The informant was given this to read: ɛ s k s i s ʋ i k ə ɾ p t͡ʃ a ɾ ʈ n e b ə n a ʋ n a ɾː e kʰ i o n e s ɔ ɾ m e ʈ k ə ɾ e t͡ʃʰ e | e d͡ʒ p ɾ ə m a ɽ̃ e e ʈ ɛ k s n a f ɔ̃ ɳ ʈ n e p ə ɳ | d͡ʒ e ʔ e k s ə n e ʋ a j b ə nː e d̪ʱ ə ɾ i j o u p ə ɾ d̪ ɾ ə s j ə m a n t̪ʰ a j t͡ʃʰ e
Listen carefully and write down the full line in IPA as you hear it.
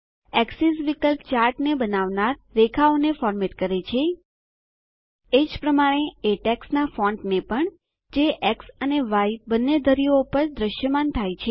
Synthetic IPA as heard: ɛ k s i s ʋ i k ə l p t͡ʃ a ɾ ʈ n e b ə n a ʋ n a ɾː e kʰ a o n e f ɔ ɾ m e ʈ k ə ɾ e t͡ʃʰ e | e d͡ʒ p ɾ ə m a ɽ̃ e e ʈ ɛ k s n a f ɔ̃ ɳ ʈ n e p ə ɳ | d͡ʒ e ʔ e k s ə n e ʋ a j b ə nː e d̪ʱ ə ɾ i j o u p ə ɾ d̪ ɾ ə ʃ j ə m a n t̪ʰ a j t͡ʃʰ e